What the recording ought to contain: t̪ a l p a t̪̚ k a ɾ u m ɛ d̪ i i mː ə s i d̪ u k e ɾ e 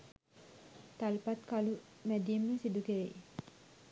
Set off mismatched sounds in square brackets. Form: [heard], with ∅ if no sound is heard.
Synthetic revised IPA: t̪ a l p a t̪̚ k a [l] u m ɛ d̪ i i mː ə s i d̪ u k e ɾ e